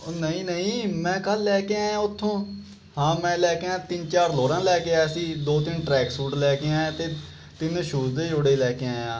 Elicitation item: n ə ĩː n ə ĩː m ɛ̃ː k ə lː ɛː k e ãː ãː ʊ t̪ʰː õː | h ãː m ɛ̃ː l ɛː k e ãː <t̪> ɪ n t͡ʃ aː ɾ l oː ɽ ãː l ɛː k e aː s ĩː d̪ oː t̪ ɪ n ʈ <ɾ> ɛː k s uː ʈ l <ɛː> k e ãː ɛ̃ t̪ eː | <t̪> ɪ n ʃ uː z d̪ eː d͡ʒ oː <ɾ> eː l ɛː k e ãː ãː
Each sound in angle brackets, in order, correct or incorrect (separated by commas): correct, correct, correct, correct, incorrect